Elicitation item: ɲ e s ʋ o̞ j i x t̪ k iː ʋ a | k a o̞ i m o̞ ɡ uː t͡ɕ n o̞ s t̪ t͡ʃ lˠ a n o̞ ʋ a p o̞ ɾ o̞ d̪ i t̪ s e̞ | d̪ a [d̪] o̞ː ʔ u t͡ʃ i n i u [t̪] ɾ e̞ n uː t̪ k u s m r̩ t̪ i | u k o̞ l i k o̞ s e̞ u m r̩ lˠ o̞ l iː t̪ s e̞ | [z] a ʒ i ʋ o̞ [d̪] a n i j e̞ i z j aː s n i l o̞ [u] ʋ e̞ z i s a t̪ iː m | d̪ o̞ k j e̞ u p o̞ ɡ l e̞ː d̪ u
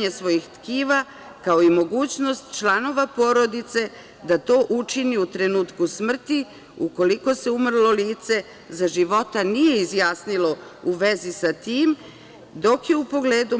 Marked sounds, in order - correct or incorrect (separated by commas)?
incorrect, correct, correct, incorrect, correct